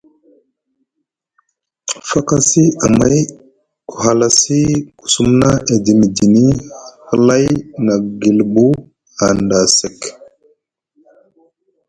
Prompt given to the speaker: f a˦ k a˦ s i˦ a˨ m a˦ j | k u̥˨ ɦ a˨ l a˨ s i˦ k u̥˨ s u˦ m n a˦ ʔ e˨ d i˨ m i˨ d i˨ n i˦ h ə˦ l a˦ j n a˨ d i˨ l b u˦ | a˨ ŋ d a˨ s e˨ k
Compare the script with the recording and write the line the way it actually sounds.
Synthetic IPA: f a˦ k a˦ s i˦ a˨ m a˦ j | k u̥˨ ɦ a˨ l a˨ s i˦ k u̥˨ s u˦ m n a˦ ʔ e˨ d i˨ m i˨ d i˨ n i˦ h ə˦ l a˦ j n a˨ ɡ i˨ l b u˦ | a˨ n d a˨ s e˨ k

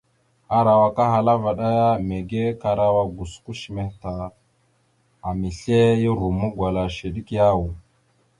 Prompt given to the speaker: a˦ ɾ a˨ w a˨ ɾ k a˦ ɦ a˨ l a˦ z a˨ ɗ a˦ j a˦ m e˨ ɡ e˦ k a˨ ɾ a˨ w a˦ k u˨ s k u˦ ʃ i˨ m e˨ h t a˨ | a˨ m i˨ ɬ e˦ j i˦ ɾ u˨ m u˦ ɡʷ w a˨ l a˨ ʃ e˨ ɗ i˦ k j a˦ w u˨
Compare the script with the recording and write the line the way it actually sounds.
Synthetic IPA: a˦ ɾ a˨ w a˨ k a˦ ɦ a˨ l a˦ v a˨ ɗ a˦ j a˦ m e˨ ɡ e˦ k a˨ ɾ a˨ w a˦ ɡ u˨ s k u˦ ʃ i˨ m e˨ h t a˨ | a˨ m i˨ ɬ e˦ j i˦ ɾ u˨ m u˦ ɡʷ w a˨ l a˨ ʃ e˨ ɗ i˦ k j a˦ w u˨

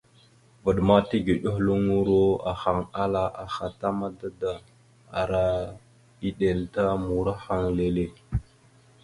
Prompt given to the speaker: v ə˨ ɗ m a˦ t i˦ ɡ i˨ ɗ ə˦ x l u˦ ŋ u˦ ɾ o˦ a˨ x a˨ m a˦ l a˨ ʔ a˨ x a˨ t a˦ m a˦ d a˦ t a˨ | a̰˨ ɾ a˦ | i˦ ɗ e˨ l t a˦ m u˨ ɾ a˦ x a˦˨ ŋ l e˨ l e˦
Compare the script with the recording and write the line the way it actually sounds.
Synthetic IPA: v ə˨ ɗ m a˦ t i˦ ɡ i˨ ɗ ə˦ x l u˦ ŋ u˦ ɾ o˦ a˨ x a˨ ŋ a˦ l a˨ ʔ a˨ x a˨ t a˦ m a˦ d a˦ d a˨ | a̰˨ ɾ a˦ | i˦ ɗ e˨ l t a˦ m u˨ ɾ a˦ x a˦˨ ŋ l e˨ l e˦

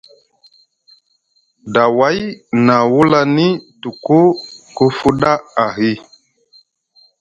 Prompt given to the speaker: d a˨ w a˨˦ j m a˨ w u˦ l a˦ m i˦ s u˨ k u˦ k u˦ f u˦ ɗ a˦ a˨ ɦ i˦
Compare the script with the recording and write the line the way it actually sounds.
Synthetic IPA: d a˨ w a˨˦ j n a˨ w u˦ l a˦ n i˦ t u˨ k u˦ k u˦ f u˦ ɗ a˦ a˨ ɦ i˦

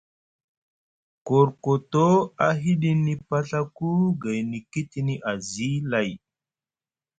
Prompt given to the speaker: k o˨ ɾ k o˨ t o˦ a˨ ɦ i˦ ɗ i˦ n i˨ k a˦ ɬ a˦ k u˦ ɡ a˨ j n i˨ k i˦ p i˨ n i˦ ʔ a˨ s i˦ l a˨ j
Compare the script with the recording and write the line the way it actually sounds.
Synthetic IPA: k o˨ ɾ k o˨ t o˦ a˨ ɦ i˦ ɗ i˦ n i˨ p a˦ ɬ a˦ k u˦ ɡ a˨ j n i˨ k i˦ t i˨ n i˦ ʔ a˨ z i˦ l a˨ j

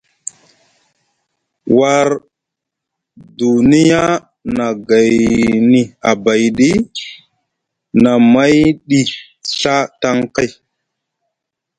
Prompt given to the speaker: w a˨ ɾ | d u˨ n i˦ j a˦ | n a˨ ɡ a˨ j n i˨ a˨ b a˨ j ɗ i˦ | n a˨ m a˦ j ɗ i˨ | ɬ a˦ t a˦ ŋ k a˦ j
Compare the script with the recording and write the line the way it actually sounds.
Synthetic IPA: w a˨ ɾ | d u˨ n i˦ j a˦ | n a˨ ɡ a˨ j n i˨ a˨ b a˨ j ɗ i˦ | n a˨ m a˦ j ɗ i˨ | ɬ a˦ t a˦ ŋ k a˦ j

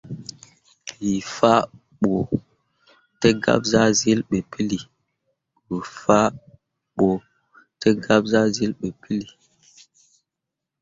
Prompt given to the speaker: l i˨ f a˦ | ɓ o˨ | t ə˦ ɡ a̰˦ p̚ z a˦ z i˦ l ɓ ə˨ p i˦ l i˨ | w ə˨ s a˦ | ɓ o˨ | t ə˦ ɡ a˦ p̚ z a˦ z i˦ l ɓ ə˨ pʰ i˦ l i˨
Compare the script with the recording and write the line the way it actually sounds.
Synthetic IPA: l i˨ f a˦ | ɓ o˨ | t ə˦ ɡ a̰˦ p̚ z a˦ z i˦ l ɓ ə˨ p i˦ l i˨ | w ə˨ f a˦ | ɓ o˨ | t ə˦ ɡ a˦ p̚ z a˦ z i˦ l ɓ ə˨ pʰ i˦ l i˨

